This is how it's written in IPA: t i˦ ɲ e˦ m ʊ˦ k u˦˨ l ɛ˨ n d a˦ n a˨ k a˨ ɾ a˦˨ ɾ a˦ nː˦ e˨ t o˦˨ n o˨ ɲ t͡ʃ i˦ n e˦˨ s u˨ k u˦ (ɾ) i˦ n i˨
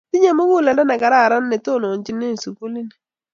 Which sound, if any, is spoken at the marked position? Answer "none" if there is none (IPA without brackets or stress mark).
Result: l